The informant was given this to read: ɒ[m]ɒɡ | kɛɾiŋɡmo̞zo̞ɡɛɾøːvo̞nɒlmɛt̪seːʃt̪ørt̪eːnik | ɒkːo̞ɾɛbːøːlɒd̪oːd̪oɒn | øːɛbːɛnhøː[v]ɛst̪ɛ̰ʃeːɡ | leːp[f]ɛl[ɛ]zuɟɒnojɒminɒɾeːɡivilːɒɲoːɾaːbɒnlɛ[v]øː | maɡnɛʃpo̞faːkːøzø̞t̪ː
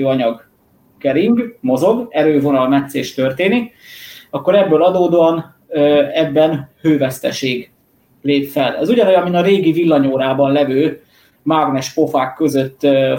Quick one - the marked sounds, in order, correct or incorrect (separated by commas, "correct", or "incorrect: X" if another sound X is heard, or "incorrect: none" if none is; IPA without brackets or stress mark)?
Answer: incorrect: ɲ, correct, correct, correct, correct